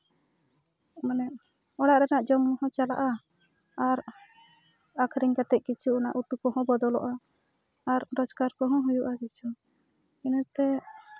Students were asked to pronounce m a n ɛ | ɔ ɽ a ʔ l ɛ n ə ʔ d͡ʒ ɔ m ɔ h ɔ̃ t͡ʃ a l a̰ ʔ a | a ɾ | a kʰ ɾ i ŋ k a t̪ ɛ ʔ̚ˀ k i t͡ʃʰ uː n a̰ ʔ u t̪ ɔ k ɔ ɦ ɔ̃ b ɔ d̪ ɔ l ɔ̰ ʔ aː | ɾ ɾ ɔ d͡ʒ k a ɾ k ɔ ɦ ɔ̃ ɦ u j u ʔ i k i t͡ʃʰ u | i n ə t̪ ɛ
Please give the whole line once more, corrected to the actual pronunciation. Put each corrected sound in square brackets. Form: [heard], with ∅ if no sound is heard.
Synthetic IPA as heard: m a n ɛ | ɔ ɽ a ʔ [ɾ] ɛ n [a] ʔ d͡ʒ ɔ m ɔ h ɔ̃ t͡ʃ a l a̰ ʔ a | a ɾ | a kʰ ɾ i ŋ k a t̪ ɛ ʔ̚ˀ k i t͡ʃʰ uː n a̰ ʔ u t̪ [u] k ɔ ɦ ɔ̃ b ɔ d̪ ɔ l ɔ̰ ʔ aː | ɾ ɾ ɔ d͡ʒ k a ɾ k ɔ ɦ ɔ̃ ɦ u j u ʔ [a] k i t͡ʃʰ u | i n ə t̪ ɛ